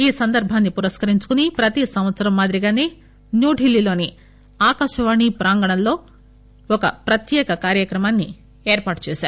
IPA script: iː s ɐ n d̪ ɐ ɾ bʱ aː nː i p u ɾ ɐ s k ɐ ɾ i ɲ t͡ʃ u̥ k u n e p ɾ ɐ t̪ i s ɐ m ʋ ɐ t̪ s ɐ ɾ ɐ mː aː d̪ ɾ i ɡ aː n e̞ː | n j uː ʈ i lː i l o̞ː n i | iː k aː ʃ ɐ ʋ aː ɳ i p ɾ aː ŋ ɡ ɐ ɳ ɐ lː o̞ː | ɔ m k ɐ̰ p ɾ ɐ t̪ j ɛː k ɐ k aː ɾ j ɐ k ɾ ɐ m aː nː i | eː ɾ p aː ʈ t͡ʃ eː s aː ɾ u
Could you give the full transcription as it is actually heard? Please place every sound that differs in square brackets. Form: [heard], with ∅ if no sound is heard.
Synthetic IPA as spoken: iː s ɐ n d̪ ɐ ɾ bʱ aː nː i p u ɾ ɐ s k ɐ ɾ i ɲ t͡ʃ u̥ k u n [i] p ɾ ɐ t̪ i s ɐ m ʋ ɐ t̪ s ɐ ɾ ɐ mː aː d̪ ɾ i ɡ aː n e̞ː | n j uː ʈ i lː i l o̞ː n i | [aː] k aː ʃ ɐ ʋ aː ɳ i p ɾ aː ŋ ɡ ɐ ɳ ɐ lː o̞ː | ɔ [∅] k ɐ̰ p ɾ ɐ t̪ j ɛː k ɐ k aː ɾ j ɐ k ɾ ɐ m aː nː i | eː ɾ p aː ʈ t͡ʃ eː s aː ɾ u